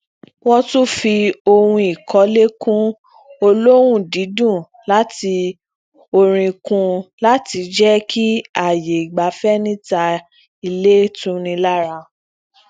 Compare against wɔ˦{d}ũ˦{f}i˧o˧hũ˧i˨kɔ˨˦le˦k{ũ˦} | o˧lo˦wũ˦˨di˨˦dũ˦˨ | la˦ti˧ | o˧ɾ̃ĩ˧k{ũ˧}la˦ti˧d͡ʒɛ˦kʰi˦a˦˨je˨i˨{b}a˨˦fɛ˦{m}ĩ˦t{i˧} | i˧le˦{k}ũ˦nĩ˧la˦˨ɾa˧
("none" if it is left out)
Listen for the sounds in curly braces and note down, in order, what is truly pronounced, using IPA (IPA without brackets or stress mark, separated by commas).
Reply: t, f, ũ˦, ũ˧, ɡ͡b, n, a˧, t